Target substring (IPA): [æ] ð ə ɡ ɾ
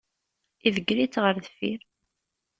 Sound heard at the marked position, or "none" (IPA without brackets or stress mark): i